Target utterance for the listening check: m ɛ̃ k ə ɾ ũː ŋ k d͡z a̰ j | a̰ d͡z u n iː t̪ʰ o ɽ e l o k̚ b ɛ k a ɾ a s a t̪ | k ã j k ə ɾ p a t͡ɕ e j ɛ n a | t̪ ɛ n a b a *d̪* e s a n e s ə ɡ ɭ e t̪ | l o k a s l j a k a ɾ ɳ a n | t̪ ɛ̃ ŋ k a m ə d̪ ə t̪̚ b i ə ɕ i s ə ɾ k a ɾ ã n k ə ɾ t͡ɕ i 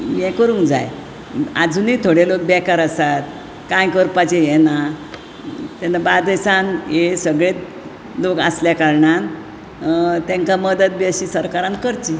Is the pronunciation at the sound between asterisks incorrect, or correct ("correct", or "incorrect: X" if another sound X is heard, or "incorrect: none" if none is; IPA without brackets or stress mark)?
correct